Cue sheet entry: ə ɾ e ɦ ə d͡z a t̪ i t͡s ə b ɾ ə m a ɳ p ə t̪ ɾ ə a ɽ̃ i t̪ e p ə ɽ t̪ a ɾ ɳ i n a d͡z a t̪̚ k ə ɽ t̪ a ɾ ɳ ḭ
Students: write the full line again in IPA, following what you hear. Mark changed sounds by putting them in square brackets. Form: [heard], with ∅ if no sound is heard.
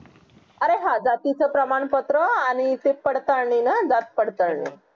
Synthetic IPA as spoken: ə ɾ e ɦ [a] d͡z a t̪ i t͡s ə [p] ɾ ə m a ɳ p ə t̪ ɾ ə a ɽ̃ i t̪ e p ə ɽ t̪ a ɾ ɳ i n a d͡z a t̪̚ [p] ə ɽ t̪ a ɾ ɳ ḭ